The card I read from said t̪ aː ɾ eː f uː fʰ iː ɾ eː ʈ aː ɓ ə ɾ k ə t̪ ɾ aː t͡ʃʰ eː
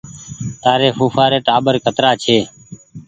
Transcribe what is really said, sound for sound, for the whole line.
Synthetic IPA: t̪ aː ɾ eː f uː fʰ aː ɾ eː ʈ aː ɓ ə ɾ k ə t̪ ɾ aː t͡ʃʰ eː